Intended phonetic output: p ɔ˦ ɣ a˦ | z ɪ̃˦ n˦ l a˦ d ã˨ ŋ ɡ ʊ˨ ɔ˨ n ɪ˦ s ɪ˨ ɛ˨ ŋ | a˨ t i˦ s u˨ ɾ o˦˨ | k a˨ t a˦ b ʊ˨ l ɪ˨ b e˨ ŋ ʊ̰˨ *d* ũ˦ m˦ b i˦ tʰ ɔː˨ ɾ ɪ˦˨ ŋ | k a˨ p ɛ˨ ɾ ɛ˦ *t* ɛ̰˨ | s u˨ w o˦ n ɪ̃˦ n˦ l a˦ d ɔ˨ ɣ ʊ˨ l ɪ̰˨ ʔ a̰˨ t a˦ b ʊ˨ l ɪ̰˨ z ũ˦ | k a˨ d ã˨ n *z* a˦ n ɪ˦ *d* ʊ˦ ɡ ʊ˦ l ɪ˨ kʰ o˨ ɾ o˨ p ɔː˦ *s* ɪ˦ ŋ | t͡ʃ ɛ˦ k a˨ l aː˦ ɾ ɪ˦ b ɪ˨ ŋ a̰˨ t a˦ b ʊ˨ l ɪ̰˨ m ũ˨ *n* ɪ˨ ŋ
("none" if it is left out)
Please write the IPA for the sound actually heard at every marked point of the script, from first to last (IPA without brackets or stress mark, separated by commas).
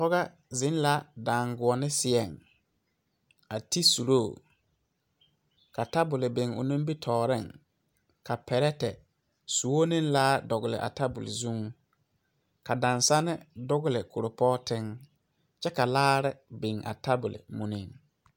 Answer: n, t, s, d, t, n